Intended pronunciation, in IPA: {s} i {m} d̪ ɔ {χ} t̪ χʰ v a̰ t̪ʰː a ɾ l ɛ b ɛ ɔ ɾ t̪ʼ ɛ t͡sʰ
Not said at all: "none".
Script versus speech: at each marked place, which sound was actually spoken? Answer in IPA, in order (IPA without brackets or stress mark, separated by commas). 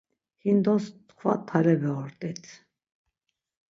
h, n, s